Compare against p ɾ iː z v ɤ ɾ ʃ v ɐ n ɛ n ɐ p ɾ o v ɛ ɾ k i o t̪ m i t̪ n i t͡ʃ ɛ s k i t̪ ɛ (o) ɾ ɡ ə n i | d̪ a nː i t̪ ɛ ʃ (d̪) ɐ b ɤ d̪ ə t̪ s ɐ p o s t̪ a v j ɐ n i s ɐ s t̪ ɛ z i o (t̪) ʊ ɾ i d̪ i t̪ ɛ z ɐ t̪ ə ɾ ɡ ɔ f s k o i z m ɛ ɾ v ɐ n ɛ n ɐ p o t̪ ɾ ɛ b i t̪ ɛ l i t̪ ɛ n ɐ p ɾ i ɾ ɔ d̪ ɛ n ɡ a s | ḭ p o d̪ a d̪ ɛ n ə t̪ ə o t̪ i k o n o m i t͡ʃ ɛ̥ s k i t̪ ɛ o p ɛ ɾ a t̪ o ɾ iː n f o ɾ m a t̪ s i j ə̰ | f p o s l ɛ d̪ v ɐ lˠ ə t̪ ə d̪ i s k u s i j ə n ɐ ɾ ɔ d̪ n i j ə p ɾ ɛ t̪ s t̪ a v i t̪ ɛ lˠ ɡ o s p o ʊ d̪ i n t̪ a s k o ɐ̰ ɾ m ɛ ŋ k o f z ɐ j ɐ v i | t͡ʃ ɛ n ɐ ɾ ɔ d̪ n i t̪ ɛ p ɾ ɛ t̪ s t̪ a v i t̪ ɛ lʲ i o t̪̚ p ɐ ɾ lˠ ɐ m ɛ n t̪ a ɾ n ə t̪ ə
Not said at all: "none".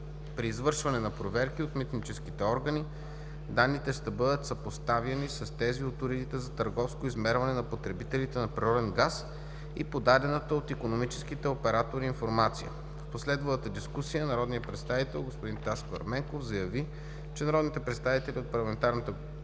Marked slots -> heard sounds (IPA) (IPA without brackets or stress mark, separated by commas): ɔ, t̪, t̪